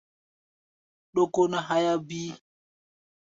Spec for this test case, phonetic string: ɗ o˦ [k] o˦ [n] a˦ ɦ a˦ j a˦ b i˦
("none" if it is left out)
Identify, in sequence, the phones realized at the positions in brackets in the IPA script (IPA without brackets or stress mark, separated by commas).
k, n